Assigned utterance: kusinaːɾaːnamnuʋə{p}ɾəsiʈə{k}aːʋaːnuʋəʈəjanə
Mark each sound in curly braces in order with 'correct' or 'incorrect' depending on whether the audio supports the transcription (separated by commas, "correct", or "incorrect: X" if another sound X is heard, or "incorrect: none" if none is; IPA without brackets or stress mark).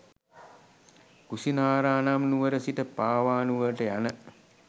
incorrect: none, incorrect: p